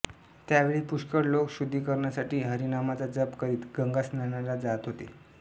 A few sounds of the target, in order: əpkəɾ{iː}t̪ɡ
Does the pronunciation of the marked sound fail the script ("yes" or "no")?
no